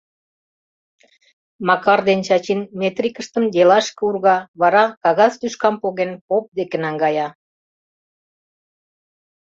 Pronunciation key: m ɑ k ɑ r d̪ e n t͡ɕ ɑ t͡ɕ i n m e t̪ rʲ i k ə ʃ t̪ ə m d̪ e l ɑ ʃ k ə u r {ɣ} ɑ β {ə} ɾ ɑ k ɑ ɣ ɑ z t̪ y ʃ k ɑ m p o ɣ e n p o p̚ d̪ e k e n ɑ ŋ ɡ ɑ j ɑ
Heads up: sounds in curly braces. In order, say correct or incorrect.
correct, incorrect: ɑ

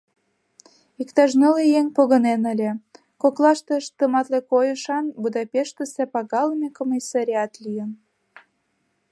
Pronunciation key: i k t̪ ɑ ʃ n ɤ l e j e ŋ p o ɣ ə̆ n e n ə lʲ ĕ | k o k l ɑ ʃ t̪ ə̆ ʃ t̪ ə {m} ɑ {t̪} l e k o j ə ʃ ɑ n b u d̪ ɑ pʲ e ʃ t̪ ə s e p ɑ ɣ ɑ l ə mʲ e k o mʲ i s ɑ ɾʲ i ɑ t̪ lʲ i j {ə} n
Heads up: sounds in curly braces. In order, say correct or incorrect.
correct, correct, correct

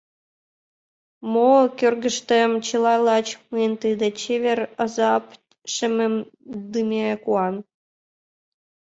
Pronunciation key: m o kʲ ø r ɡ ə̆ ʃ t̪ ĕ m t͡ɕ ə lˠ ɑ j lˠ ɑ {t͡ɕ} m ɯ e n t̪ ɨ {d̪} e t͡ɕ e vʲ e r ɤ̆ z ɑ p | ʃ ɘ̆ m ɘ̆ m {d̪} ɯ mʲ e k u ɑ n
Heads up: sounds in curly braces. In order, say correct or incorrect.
correct, correct, correct

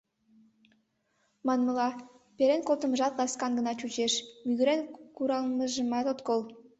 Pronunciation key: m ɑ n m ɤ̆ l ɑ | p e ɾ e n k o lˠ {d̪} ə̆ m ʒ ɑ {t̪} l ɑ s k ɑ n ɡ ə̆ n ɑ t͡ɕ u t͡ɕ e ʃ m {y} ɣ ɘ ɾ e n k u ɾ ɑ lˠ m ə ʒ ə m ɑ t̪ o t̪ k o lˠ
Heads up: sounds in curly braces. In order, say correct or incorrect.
incorrect: t̪, correct, correct

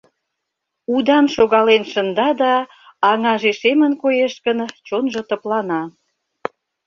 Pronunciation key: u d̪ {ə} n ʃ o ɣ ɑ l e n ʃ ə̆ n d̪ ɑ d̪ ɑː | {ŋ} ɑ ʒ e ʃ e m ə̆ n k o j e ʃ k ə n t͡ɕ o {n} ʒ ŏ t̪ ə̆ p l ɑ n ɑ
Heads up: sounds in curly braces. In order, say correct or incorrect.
incorrect: ɑ, correct, correct

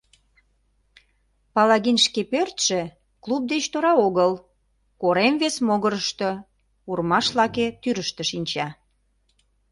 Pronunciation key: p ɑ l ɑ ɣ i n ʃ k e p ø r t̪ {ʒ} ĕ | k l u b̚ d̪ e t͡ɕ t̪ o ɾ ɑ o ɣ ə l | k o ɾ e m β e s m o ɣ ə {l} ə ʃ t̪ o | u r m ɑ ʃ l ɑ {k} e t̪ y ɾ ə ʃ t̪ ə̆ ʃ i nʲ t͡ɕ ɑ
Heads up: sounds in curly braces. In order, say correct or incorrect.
incorrect: ʃ, incorrect: ɾ, correct

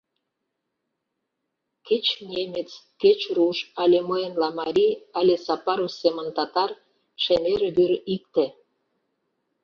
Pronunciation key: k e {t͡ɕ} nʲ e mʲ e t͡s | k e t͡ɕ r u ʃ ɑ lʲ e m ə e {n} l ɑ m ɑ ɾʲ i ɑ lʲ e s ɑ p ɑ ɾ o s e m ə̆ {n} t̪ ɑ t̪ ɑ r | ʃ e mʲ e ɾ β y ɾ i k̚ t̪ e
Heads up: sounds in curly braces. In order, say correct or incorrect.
correct, correct, correct

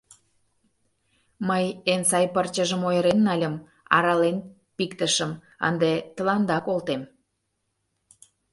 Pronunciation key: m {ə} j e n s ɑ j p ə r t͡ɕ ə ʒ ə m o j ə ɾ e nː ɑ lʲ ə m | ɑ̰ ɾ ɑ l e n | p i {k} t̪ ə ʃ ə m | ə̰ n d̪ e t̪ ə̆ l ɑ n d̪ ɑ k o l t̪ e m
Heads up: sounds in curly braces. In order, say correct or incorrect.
correct, correct

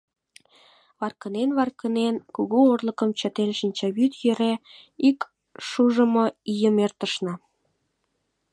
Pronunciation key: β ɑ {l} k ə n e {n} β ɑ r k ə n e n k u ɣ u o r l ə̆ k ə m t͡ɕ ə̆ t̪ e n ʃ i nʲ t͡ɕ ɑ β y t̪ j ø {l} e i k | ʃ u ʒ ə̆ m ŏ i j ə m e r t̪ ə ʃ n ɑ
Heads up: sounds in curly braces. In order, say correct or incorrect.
incorrect: r, correct, incorrect: ɾ

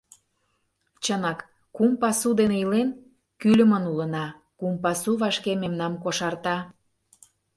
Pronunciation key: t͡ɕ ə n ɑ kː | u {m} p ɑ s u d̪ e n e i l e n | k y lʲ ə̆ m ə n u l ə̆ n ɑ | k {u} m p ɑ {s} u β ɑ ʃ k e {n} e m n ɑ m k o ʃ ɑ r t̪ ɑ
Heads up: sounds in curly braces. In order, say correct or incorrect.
correct, correct, correct, incorrect: m

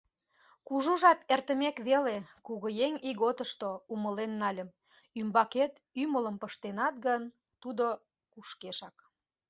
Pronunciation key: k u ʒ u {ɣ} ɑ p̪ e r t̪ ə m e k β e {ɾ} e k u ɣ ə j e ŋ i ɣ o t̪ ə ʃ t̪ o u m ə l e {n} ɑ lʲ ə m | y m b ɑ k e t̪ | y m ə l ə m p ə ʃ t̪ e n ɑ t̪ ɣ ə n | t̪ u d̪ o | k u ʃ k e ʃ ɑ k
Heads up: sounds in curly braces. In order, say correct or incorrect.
incorrect: ʒ, incorrect: l, incorrect: nː

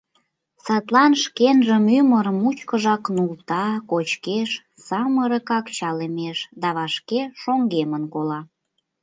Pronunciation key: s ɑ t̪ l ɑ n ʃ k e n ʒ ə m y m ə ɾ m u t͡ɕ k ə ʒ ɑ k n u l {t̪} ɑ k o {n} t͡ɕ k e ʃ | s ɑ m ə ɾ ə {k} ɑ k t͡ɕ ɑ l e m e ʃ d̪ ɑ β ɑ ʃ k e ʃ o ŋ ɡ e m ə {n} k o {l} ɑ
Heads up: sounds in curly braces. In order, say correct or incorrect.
correct, incorrect: none, correct, correct, correct

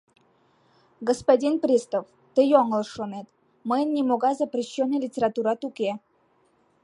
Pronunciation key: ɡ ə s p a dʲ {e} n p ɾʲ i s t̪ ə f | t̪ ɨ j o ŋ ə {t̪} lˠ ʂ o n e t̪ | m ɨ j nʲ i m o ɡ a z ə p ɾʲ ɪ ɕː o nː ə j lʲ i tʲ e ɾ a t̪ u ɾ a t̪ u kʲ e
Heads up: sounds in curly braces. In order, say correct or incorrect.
incorrect: i, incorrect: none

